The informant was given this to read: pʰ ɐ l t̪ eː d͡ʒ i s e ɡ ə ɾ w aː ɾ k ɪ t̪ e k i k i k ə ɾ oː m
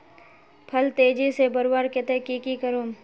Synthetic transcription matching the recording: pʰ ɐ l t̪ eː d͡ʒ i s e b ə ɾ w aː ɾ k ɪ t̪ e k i k i k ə ɾ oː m